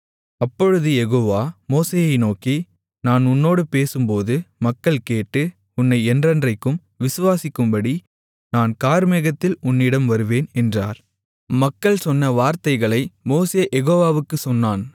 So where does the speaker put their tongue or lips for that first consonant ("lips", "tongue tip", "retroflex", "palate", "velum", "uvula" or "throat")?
lips